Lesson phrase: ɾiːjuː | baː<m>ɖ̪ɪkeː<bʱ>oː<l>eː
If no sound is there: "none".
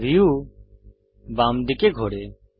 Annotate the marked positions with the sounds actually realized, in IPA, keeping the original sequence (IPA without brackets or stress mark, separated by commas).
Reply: m, ɡʱ, ɽ